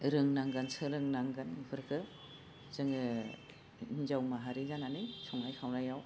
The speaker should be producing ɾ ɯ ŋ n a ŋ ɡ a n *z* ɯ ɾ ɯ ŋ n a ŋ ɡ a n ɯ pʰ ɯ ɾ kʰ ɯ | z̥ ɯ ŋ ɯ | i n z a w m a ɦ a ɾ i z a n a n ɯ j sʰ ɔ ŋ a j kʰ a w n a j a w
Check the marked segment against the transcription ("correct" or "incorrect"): incorrect